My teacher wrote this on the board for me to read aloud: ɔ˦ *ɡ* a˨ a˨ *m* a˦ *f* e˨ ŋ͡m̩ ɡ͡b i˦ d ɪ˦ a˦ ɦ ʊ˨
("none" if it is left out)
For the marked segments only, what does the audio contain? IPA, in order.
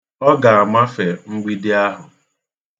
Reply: ɡ, m, f

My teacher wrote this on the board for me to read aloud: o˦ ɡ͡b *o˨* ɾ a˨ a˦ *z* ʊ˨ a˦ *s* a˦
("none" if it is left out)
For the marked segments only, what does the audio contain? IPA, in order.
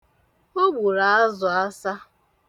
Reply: u˨, z, s

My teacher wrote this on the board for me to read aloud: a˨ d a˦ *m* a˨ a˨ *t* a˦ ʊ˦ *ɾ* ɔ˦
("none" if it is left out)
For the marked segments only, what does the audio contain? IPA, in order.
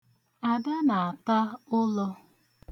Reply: n, t, l

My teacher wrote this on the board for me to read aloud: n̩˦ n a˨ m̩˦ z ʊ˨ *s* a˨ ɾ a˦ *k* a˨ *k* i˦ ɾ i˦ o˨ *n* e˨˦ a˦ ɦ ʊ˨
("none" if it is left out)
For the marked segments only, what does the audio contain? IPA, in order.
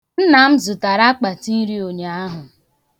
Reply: t, k͡p, t, ɲ

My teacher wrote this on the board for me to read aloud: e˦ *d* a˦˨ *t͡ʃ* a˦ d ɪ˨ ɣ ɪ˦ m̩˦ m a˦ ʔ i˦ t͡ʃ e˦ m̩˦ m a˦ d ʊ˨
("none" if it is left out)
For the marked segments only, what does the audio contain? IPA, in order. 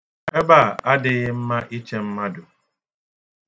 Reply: b, none

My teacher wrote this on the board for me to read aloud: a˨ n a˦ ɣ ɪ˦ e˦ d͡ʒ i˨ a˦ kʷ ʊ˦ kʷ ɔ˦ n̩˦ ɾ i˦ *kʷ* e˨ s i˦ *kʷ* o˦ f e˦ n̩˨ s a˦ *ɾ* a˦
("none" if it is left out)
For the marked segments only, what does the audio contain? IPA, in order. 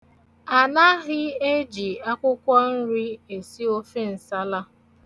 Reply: none, none, l

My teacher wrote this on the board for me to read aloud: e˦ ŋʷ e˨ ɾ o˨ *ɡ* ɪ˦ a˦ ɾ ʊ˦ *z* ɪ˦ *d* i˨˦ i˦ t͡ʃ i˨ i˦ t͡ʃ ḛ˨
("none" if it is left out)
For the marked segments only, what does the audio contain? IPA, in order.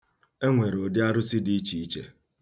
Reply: d, s, d

